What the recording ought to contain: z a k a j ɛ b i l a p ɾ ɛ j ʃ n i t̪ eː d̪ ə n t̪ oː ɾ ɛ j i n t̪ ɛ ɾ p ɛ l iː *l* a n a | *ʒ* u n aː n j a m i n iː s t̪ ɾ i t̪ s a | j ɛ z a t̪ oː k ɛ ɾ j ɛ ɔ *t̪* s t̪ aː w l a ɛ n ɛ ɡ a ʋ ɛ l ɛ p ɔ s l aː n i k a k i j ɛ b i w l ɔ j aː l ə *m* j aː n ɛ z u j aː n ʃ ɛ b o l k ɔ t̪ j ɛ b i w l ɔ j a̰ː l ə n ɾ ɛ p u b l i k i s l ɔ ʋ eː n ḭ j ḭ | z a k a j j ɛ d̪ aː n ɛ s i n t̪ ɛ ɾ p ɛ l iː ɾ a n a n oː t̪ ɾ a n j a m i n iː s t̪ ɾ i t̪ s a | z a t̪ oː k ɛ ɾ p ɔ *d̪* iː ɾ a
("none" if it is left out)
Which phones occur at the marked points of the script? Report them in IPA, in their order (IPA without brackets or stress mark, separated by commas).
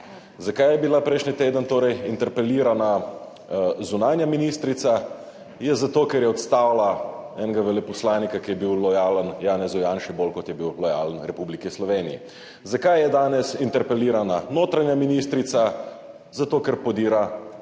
ɾ, z, t̪, n, d̪